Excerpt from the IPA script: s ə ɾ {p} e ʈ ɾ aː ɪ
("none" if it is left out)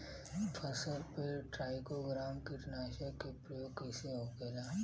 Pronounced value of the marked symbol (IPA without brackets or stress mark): p